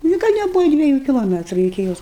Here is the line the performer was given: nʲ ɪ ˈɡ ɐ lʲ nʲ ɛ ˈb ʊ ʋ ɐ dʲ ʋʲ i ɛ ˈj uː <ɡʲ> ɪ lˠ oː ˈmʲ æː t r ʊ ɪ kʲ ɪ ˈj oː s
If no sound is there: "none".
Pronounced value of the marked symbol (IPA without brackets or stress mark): kʲ